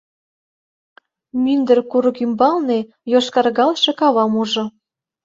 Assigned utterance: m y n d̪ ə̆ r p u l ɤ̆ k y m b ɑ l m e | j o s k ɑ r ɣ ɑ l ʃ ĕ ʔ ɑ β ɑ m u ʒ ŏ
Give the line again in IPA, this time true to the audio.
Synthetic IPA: m y n d̪ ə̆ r k u ɾ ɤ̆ k y m b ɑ l n e | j o ʃ k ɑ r ɣ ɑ l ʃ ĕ k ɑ β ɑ m u ʒ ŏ

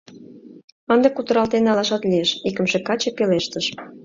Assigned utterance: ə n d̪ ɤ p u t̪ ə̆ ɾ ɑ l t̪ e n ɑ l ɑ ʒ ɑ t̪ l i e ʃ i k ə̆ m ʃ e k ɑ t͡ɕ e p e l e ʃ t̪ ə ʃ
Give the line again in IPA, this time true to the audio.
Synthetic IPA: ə n d̪ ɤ k u t̪ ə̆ ɾ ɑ l t̪ e n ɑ l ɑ ʃ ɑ t̪ l i e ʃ i k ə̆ m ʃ e k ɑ t͡ɕ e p e l e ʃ t̪ ə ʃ

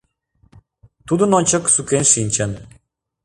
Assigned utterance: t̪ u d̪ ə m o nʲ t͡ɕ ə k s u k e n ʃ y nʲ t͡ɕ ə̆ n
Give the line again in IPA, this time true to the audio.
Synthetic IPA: t̪ u d̪ ə n o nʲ t͡ɕ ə k s u k e n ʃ i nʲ t͡ɕ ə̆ n

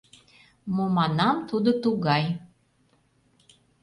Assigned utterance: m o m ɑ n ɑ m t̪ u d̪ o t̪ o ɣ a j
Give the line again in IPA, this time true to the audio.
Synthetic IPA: m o m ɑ n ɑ m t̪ u d̪ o t̪ u ɣ ɑ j

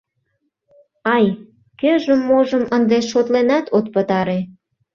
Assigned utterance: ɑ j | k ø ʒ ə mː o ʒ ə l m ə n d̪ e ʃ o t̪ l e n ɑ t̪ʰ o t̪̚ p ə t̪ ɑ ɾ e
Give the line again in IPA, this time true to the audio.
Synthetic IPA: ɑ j | k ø ʒ ə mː o ʒ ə m ə n d̪ e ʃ o t̪ l e n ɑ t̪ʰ o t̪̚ p ə t̪ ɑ ɾ e

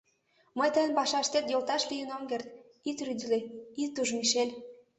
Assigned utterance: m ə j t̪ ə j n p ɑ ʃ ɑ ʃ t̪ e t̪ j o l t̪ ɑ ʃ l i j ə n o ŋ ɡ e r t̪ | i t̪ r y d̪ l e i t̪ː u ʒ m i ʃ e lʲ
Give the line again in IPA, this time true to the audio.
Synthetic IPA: m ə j t̪ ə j n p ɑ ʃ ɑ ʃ t̪ e t̪ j o l t̪ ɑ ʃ l i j ə n o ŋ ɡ e r t̪ | i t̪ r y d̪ l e i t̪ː u ʒ m i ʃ e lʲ

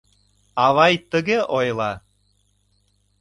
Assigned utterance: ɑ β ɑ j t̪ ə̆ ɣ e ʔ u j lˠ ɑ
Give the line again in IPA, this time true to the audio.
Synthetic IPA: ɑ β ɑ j t̪ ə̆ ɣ e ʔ o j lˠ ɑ

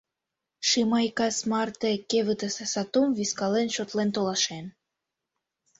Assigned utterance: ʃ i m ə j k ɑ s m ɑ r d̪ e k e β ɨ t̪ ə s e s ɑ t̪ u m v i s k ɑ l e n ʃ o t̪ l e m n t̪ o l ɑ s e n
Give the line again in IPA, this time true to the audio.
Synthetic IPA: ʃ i m ɑ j k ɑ s m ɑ r t̪ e k e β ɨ t̪ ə s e s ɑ t̪ u m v i s k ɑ l e n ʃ o t̪ l e n t̪ o l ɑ ʃ e n

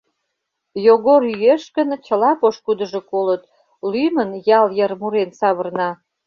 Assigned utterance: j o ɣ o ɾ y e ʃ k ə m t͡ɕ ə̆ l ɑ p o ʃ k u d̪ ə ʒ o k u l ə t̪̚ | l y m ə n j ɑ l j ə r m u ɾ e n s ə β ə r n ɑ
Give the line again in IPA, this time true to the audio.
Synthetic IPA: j o ɣ o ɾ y e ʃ k ə n t͡ɕ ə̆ l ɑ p o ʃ k u d̪ ə ʒ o k o l ə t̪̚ | l y m ə n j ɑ l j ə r m u ɾ e n s ɑ β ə r n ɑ

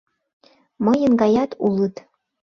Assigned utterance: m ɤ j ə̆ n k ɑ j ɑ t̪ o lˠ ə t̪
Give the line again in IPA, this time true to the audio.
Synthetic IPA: m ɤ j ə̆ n ɡ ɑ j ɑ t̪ u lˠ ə t̪

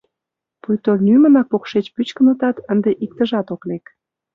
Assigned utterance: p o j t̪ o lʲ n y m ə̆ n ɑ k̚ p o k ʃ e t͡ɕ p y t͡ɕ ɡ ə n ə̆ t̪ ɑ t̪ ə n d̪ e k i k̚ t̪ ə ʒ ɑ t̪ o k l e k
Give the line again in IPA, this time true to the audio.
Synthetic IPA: p u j t̪ o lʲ n y m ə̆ n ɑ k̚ p o k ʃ e t͡ɕ p y t͡ɕ k ə n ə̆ t̪ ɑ t̪ ə n d̪ e ʔ i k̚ t̪ ə ʒ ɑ t̪ o k l e k

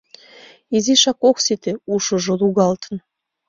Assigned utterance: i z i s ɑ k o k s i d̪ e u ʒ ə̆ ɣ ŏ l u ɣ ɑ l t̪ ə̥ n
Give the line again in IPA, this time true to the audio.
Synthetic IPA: i z i ʃ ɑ k o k s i t̪ e u ʃ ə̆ ʒ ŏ l u ɣ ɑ l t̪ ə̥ n

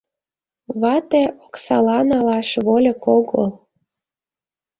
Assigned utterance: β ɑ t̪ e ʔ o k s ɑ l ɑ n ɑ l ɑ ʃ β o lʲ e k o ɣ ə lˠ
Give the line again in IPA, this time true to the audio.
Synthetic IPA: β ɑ t̪ e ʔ o k s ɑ l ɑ n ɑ l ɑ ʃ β o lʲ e k o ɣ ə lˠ

